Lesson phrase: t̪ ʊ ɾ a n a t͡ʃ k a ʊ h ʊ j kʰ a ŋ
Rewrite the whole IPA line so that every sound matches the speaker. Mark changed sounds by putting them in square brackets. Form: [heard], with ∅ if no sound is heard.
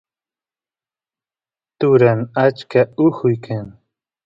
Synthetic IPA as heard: t̪ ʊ ɾ a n a t͡ʃ k a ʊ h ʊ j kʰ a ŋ